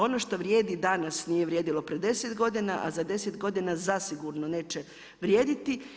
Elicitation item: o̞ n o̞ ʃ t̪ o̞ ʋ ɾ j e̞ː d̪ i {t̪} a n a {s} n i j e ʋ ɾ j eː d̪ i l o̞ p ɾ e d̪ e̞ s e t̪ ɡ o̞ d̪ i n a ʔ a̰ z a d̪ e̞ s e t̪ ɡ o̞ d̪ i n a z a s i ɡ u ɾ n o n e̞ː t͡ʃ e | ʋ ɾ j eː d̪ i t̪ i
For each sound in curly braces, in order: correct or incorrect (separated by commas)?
incorrect, correct